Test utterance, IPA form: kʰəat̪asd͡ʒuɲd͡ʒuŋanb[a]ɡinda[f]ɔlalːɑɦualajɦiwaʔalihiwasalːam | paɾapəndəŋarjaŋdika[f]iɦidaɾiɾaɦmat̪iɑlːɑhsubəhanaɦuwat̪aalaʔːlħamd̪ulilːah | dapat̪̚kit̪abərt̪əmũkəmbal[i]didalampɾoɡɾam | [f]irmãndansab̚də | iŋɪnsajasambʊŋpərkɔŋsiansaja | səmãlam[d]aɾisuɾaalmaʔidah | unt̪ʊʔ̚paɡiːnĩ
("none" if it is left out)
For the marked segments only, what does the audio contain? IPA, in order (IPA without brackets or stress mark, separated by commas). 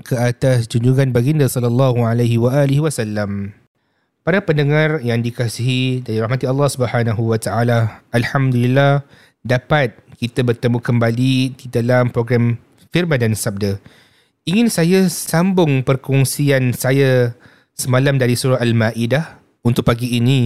a, s, s, i, f, d